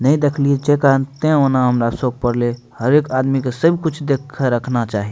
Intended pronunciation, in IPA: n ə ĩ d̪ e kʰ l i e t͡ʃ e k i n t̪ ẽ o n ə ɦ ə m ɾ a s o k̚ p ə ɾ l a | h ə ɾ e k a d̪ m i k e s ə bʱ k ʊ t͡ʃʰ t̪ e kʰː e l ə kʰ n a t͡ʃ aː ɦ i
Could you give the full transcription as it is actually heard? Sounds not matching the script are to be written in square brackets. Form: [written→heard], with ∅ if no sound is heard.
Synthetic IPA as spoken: n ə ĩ d̪ e kʰ l i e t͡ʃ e k [i→a] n t̪ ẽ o n [ə→a] ɦ ə m ɾ a s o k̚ p ə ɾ l [a→e] | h ə ɾ e k a d̪ m i k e s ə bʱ k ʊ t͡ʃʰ [t̪→d̪] e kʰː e [l→ɾ] ə kʰ n a t͡ʃ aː ɦ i